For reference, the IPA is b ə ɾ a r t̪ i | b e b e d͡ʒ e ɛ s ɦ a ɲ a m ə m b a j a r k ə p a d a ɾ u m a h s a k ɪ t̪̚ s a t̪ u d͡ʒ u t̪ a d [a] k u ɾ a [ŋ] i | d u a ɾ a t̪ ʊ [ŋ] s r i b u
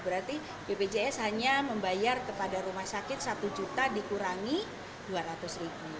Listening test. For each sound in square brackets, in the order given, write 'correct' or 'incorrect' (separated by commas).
incorrect, correct, incorrect